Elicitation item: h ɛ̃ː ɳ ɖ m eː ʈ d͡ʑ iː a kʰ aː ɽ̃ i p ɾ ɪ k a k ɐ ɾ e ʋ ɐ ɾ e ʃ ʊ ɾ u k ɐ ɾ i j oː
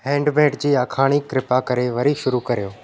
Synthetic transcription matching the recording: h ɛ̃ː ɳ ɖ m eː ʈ d͡ʑ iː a kʰ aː ɽ̃ i k ɾ ɪ p a k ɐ ɾ e ʋ ɐ ɾ i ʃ ʊ ɾ u k ɐ ɾ i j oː